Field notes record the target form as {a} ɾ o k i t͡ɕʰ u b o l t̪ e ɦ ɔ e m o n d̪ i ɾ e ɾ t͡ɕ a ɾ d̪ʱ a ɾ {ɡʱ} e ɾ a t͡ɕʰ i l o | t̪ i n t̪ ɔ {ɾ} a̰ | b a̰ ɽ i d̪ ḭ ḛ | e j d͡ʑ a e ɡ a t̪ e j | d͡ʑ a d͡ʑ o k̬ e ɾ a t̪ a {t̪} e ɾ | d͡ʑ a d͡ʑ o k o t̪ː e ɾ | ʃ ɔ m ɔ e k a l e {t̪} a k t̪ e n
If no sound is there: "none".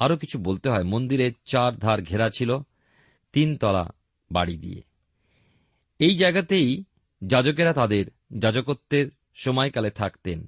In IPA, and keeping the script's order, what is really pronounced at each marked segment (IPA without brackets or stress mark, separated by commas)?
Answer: a, ɡʱ, l, d̪, t̪ʰ